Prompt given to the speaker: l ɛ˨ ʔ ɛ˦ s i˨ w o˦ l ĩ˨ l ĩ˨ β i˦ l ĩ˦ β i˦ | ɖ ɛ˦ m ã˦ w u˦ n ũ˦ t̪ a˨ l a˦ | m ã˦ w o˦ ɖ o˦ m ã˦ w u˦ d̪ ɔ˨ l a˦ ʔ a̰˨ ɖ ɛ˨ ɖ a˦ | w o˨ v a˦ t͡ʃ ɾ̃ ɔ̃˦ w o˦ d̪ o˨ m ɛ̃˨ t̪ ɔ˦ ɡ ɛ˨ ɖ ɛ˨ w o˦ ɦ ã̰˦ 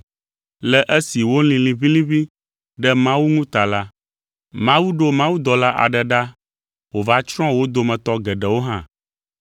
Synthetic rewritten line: l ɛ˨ ʔ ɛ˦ s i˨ w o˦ l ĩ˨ l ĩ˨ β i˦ l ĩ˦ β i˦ | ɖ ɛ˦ m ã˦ w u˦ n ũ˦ t̪ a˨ l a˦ | m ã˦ w u˦ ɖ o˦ m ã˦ w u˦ d̪ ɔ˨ l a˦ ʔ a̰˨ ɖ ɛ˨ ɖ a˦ | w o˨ v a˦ t͡ʃ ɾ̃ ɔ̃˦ w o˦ d̪ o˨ m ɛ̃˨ t̪ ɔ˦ ɡ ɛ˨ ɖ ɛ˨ w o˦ ɦ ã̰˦